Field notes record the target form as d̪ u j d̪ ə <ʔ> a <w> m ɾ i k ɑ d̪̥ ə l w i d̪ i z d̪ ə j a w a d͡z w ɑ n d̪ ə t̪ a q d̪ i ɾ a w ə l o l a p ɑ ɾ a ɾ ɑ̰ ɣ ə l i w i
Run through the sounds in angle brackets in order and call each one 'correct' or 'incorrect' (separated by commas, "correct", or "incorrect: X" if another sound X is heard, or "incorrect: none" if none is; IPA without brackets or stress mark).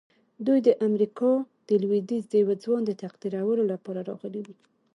correct, incorrect: none